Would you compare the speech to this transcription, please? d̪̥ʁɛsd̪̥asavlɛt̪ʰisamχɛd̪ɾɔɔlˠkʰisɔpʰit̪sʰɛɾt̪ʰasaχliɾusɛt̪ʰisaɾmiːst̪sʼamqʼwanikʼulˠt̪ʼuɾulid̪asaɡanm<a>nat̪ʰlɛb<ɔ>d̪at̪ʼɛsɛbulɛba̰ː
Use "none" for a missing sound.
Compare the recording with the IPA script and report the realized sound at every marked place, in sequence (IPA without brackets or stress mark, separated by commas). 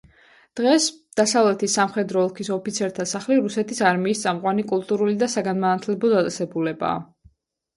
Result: a, ɔ